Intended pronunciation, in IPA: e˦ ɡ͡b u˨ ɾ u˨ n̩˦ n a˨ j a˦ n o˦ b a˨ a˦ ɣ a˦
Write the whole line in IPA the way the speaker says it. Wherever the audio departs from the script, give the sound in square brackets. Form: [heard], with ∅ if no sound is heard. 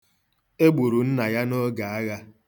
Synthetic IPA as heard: e˦ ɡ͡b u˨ ɾ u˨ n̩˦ n a˨ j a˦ n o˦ [ɡ] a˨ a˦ ɣ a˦